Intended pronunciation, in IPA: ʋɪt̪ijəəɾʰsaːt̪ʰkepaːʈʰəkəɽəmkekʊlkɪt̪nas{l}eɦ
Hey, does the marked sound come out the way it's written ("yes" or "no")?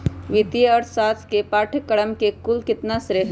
no